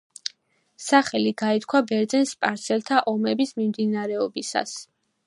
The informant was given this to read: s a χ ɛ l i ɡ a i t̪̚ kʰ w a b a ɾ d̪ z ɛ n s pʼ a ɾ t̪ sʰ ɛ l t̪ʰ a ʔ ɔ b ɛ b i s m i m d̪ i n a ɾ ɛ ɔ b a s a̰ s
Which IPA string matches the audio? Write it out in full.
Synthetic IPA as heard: s a χ ɛ l i ɡ a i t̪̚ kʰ w a b ɛ ɾ d̪ z ɛ n s pʼ a ɾ t̪ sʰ ɛ l t̪ʰ a ʔ ɔ m ɛ b i s m i m d̪ i n a ɾ ɛ ɔ b i s a̰ s